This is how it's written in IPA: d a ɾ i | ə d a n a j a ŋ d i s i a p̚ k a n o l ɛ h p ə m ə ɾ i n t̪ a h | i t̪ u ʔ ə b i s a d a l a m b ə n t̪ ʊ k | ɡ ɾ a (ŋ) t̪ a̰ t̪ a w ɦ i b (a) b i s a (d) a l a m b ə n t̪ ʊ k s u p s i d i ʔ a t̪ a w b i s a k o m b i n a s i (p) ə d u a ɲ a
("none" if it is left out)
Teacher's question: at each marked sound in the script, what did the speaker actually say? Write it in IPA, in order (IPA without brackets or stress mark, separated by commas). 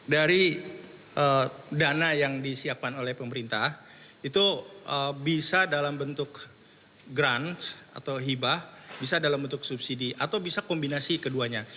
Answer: n, a, d, k